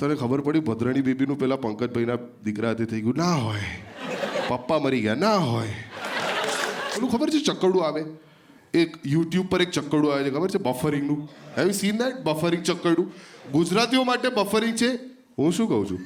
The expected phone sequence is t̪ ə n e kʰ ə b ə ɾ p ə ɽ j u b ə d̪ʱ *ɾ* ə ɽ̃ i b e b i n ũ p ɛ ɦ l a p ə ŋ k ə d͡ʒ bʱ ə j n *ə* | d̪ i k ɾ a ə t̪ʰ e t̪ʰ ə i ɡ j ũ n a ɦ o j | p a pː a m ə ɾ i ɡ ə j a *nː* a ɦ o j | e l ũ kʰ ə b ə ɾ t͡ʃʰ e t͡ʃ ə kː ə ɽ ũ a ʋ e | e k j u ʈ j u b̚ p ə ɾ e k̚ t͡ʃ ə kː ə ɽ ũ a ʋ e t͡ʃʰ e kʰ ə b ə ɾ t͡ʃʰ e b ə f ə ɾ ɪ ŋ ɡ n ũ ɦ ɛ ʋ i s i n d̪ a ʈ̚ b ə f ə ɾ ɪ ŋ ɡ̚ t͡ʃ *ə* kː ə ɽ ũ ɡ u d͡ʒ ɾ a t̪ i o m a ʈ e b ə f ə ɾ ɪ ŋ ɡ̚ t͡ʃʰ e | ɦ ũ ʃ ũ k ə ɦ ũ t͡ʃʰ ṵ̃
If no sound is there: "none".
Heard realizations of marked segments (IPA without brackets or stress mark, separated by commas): ɾ, a, n, ə